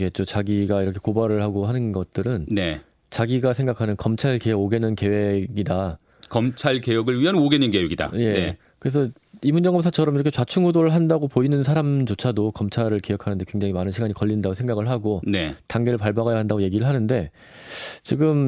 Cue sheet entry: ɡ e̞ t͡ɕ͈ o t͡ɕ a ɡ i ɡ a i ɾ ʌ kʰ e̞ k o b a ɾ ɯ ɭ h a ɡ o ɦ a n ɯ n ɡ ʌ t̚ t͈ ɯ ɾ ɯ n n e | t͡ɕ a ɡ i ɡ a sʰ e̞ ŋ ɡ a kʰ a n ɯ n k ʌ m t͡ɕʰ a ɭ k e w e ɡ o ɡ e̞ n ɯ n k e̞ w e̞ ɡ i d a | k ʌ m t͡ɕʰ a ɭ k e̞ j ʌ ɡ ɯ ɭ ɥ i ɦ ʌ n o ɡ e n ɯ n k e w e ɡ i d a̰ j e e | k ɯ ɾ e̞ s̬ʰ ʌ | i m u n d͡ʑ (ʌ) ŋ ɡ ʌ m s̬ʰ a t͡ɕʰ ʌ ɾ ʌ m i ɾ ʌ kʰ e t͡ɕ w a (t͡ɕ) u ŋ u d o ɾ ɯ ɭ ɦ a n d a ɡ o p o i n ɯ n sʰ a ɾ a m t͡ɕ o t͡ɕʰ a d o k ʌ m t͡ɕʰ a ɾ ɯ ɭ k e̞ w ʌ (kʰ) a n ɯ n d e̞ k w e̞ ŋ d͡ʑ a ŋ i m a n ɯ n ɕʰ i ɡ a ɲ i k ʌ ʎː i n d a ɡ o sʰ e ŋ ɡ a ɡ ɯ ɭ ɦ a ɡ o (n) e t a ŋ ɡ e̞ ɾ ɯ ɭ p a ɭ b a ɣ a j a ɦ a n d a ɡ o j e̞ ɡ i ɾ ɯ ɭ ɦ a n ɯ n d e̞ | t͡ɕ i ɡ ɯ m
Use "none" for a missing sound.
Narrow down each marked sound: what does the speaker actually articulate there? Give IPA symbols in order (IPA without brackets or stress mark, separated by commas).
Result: ʌ, t͡ɕʰ, kʰ, n